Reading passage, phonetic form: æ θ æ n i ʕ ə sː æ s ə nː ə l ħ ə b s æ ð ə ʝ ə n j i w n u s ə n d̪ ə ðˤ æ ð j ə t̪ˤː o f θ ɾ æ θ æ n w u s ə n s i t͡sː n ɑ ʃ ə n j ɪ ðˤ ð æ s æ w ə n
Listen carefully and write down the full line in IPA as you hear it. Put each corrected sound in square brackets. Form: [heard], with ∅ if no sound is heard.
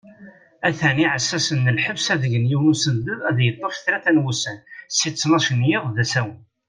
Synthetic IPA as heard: æ θ æ n i ʕ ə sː æ s ə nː ə l ħ ə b s æ ð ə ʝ ə n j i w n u s ə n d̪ ə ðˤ æ ð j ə t̪ˤː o f θ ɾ æ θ æ n w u s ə n s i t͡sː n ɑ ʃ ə n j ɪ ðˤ ð æ s æ w ə n